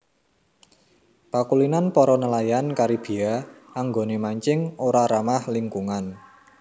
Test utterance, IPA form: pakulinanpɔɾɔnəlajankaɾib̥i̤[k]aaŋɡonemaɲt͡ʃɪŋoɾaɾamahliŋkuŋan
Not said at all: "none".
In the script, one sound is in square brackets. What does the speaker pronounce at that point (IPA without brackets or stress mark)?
none